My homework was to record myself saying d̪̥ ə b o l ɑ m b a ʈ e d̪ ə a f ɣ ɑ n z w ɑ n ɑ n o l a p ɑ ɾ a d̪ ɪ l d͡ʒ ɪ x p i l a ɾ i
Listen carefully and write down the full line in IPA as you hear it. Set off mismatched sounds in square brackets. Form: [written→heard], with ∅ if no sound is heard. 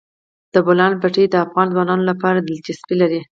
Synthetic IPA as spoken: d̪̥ ə b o l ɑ [m→n] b a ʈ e d̪ ə a f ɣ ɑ n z w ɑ n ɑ n o l a p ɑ ɾ a d̪ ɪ l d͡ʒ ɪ [x→s] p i l a ɾ i